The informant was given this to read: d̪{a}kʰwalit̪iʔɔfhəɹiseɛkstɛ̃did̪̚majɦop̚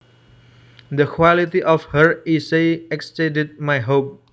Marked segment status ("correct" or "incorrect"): incorrect